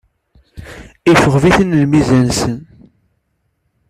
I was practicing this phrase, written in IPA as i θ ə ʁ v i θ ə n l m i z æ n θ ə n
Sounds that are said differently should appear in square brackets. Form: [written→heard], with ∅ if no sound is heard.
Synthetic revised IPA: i [θ→f] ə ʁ v i θ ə n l m i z æ n [θ→s] ə n